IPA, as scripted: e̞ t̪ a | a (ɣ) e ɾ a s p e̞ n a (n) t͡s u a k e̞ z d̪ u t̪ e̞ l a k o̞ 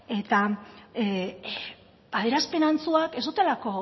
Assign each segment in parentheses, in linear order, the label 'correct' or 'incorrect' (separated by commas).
incorrect, correct